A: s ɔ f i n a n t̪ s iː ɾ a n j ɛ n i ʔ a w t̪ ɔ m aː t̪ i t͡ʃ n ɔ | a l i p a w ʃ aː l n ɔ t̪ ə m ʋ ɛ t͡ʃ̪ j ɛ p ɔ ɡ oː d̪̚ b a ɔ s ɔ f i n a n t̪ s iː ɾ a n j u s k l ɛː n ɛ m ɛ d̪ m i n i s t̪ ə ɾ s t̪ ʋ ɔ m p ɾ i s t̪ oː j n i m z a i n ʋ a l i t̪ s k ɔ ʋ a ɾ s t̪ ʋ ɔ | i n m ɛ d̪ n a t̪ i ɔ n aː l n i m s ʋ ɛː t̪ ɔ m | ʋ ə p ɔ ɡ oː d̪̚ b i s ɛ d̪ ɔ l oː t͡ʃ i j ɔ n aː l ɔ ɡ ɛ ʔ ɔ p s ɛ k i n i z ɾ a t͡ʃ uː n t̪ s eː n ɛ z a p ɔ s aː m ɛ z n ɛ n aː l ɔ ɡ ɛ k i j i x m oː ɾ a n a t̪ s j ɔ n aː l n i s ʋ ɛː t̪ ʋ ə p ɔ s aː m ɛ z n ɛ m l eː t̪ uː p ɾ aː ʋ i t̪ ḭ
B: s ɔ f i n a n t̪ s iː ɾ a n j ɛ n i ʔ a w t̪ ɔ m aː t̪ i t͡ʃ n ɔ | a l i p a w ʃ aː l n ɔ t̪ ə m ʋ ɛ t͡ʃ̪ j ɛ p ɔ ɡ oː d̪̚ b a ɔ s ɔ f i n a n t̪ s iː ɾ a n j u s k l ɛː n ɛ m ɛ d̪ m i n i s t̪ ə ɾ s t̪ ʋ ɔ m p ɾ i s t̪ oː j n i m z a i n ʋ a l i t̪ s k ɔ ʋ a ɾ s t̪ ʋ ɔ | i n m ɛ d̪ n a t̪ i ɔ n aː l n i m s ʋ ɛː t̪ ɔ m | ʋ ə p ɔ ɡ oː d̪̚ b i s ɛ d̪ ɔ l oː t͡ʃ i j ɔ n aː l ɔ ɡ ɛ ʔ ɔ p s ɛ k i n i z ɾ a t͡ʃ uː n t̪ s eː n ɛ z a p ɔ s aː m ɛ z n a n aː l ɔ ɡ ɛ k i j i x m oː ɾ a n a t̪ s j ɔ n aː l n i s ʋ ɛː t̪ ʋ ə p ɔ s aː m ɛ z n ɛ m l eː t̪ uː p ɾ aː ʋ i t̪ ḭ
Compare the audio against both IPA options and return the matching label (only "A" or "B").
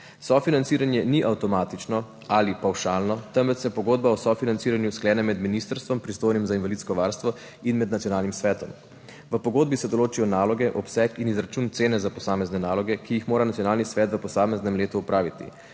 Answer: A